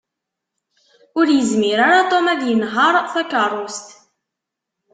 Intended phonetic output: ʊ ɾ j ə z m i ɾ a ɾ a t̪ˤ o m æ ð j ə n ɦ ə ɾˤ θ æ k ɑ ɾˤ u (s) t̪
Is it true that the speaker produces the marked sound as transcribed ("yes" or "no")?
yes